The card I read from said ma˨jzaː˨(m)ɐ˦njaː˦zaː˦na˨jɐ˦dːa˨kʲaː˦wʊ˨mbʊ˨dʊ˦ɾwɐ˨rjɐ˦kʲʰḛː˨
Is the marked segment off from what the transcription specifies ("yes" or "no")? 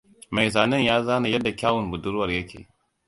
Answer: yes